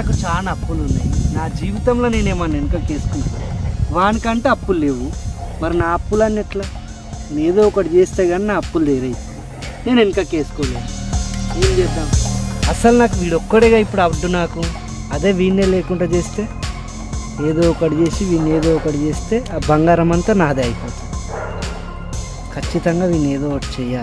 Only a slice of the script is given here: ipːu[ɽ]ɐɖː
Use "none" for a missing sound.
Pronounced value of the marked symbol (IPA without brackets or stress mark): ɽ